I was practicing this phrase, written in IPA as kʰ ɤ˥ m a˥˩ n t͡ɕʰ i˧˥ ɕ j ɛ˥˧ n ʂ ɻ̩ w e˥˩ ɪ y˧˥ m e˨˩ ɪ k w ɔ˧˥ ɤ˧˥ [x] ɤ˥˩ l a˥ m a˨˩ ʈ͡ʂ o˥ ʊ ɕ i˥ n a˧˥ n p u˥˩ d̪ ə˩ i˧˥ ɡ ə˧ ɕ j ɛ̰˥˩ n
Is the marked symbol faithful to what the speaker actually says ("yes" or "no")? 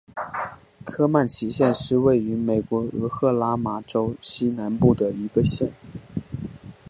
yes